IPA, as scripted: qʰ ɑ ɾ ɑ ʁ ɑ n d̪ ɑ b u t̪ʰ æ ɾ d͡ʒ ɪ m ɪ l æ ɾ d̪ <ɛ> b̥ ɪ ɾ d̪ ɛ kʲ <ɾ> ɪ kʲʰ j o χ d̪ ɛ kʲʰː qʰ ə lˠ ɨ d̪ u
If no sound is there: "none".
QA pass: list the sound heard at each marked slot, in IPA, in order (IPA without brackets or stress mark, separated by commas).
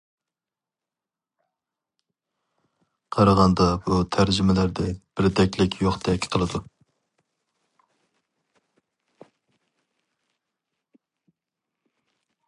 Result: ɛ, l